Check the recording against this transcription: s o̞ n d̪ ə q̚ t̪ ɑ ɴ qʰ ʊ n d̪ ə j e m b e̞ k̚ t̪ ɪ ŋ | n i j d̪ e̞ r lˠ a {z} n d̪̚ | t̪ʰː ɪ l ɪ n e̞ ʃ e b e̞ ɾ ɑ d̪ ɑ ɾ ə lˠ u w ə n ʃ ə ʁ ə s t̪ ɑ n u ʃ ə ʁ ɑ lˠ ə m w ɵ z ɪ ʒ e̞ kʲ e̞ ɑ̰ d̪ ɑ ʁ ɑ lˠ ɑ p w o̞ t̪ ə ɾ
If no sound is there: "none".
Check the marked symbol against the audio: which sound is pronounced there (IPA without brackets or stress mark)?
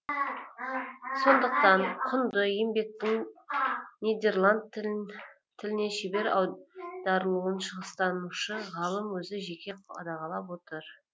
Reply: none